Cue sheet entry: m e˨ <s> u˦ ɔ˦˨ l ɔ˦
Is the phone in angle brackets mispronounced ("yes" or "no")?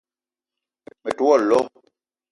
yes